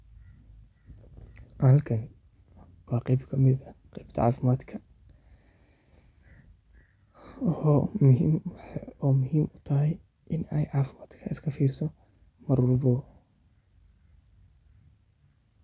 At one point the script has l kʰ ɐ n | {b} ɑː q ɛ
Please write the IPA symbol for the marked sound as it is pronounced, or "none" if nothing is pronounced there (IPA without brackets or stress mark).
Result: w